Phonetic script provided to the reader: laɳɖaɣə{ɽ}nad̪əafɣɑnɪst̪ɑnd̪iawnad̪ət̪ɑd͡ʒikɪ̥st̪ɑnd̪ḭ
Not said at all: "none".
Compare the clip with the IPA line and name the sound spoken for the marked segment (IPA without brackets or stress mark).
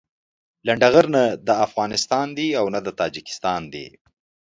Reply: ɾ